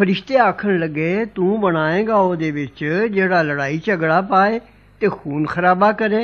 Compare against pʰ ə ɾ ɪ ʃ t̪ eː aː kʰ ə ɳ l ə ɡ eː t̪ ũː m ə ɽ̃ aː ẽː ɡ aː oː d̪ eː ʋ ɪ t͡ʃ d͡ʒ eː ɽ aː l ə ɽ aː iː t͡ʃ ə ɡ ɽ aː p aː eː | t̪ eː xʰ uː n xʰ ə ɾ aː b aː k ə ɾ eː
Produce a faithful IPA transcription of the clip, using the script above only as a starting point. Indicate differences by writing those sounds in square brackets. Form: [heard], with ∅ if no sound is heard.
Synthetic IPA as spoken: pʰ ə ɾ ɪ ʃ t̪ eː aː kʰ ə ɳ l ə ɡ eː t̪ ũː [b] ə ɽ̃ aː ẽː ɡ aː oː d̪ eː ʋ ɪ t͡ʃ d͡ʒ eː ɽ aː l ə ɽ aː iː t͡ʃ ə ɡ ɽ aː p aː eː | t̪ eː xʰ uː n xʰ ə ɾ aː b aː k ə ɾ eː